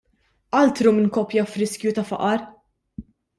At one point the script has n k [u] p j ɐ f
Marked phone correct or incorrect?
incorrect